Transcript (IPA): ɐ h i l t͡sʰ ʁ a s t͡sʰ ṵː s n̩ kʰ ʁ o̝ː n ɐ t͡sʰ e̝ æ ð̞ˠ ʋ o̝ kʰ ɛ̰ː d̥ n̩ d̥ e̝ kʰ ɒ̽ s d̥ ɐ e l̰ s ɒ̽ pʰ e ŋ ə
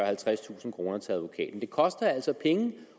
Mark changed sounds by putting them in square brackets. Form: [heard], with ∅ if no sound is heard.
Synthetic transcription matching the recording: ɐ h [æ] l t͡sʰ ʁ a s t͡sʰ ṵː s n̩ kʰ ʁ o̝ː n ɐ t͡sʰ e̝ æ ð̞ˠ ʋ o̝ kʰ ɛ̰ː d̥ n̩ d̥ e̝ kʰ ɒ̽ s d̥ ɐ [æ] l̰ s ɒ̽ pʰ e ŋ ə